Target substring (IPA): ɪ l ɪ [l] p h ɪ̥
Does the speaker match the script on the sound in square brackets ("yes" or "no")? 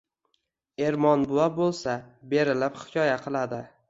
no